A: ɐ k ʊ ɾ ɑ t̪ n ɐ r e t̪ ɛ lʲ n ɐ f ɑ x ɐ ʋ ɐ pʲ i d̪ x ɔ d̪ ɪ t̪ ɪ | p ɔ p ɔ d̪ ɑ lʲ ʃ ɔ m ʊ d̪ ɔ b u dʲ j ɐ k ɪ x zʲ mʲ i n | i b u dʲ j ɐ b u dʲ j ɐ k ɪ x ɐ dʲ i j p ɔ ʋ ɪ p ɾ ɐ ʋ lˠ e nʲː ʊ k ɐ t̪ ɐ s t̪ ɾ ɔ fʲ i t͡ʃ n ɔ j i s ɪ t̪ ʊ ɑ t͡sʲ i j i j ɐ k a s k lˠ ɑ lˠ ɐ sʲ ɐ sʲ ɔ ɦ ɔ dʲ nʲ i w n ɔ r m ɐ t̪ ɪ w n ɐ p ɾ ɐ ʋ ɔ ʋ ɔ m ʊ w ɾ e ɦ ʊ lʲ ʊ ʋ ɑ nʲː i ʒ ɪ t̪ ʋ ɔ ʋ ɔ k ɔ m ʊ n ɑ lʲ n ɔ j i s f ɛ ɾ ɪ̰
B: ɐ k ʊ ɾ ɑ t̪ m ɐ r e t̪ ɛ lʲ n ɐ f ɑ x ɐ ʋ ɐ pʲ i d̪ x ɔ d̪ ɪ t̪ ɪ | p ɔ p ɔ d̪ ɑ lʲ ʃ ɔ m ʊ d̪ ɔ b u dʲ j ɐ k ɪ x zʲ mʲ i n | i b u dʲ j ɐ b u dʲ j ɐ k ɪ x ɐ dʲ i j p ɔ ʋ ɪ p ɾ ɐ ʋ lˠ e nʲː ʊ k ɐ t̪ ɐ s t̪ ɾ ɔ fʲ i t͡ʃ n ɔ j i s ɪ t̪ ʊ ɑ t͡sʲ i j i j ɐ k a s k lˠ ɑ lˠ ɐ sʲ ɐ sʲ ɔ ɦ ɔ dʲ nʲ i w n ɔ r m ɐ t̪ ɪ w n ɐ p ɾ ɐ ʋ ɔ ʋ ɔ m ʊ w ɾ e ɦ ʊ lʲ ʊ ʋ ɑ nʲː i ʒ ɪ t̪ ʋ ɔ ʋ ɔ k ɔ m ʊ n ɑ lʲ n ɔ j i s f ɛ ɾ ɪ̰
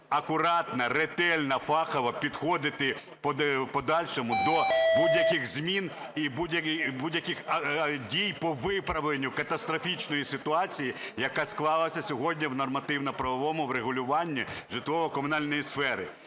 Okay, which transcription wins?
A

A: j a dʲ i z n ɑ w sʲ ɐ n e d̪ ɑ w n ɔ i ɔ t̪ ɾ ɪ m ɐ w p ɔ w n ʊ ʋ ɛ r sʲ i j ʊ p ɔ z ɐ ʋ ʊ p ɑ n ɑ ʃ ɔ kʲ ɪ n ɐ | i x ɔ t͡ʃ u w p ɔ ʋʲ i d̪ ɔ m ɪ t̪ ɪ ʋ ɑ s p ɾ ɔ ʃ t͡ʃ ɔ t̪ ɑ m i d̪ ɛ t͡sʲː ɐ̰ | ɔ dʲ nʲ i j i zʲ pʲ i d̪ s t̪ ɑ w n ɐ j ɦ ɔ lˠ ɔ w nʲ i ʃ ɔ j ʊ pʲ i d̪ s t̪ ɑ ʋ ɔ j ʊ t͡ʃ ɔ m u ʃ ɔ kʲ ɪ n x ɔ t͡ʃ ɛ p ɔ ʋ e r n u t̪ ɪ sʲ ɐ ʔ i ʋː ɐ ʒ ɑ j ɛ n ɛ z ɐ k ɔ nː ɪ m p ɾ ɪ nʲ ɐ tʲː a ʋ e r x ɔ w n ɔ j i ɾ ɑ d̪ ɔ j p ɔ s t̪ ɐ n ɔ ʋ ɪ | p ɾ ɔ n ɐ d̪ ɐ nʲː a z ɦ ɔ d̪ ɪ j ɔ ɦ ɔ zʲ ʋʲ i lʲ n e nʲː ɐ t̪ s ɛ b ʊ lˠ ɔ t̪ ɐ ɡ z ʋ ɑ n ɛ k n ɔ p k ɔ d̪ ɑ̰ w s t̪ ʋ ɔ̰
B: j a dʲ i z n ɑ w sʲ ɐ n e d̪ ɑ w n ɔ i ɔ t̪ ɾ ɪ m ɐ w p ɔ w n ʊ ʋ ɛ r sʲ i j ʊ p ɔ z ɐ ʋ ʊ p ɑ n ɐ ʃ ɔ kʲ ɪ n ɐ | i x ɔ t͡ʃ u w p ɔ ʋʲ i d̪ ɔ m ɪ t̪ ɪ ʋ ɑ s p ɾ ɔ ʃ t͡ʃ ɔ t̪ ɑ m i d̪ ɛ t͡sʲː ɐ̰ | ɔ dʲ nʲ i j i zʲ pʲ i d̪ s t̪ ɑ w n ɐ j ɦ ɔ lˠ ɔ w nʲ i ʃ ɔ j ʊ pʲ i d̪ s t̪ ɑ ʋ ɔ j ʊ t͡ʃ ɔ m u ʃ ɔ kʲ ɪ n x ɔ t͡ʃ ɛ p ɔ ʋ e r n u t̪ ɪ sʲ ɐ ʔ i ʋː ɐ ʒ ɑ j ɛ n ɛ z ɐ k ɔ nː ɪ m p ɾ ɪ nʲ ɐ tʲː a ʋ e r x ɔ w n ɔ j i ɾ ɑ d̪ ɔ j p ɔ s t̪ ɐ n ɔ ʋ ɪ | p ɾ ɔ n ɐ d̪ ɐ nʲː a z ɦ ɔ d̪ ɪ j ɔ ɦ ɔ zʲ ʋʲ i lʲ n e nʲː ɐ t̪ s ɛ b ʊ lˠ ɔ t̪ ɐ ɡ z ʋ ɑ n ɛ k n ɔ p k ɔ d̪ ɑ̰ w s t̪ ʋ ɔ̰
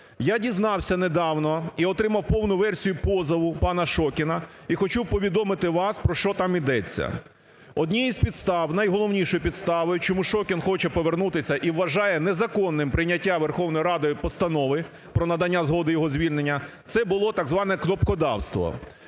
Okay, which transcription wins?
B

